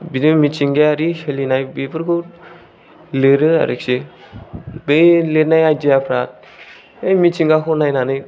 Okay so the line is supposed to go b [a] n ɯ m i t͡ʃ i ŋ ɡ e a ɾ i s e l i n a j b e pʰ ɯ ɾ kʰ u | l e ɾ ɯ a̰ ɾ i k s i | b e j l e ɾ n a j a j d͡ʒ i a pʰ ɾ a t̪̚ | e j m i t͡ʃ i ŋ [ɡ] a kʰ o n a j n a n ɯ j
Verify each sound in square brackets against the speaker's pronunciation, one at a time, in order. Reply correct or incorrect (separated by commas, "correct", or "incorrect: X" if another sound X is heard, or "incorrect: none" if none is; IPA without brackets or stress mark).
incorrect: i, correct